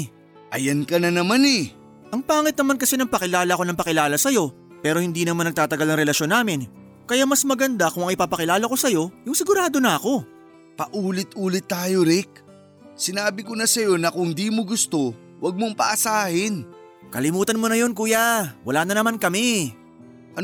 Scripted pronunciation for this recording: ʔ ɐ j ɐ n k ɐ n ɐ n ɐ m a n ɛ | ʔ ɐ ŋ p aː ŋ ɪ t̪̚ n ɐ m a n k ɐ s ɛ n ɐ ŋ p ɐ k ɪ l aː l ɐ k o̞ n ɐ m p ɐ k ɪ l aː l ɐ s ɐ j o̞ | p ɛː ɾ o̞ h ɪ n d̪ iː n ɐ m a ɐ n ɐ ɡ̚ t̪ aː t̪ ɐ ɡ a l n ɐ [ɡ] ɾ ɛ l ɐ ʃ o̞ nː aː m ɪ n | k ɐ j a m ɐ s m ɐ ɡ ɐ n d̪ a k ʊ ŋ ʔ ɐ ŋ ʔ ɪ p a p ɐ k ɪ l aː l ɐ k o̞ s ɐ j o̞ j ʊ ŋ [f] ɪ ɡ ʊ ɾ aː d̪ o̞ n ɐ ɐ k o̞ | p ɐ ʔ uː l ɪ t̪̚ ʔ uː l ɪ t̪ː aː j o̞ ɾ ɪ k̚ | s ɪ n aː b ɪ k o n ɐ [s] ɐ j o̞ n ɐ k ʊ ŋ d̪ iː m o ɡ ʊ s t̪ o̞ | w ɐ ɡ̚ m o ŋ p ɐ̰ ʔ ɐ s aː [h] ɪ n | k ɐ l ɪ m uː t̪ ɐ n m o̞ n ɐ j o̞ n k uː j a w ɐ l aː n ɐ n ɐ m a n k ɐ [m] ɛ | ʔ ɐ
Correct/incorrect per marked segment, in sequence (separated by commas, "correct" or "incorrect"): incorrect, incorrect, correct, correct, correct